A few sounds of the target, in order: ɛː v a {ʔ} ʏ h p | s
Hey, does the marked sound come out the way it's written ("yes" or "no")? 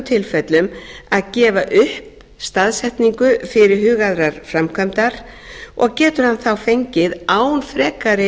yes